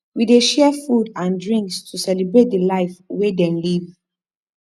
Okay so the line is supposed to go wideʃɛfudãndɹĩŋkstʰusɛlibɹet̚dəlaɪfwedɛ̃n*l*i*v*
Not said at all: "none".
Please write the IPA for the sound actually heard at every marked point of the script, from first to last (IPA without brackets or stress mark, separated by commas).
l, v